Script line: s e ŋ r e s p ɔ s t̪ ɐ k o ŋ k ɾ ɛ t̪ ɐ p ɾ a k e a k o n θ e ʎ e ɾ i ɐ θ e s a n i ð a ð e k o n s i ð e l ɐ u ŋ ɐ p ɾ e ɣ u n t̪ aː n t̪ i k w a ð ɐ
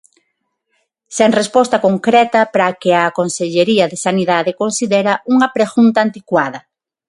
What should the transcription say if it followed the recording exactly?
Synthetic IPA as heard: s e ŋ r e s p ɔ s t̪ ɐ k o ŋ k ɾ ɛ t̪ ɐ p ɾ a k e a k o n s e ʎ e ɾ i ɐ ð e s a n i ð a ð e k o n s i ð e ɾ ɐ u ŋ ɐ p ɾ e ɣ u n t̪ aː n t̪ i k w a ð ɐ